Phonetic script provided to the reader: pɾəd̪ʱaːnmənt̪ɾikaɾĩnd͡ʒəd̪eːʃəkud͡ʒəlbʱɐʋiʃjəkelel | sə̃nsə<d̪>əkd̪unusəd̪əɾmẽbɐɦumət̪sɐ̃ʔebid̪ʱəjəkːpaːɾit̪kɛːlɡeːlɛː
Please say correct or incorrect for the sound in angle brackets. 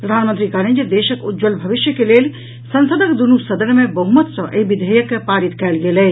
correct